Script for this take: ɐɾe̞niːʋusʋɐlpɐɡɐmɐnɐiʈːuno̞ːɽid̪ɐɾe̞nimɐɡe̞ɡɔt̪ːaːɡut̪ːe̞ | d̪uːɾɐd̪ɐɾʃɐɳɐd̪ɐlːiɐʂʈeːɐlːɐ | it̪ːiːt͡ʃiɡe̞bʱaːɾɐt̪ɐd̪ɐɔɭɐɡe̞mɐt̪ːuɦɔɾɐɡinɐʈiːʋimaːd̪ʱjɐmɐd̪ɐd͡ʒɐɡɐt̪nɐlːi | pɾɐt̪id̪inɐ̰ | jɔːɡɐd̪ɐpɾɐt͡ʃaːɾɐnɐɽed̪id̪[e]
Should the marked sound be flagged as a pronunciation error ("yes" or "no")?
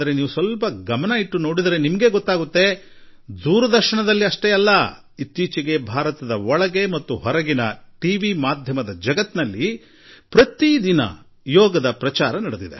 no